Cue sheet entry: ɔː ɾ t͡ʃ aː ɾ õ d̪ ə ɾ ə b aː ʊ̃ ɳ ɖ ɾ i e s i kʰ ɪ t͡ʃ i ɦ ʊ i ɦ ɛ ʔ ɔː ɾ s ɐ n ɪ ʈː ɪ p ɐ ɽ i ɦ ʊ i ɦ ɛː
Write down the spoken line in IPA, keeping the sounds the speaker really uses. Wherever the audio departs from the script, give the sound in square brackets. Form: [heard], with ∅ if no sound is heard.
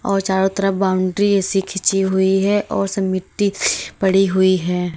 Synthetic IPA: ɔː ɾ t͡ʃ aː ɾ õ [t̪] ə ɾ ə b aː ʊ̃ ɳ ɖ ɾ i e s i kʰ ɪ t͡ʃ i ɦ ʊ i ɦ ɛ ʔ ɔː ɾ s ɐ [m] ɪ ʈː [i] p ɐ ɽ i ɦ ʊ i ɦ ɛː